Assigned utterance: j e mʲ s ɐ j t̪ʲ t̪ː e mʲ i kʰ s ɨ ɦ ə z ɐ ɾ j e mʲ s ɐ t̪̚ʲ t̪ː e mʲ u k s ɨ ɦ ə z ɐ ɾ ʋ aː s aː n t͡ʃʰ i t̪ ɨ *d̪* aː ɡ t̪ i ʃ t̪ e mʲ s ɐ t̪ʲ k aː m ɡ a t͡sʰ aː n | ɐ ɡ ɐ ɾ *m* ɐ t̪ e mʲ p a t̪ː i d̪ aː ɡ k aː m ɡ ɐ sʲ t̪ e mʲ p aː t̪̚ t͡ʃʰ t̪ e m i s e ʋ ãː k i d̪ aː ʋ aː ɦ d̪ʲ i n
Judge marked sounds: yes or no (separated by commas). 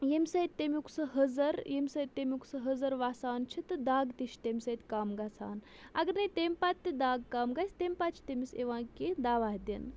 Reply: yes, no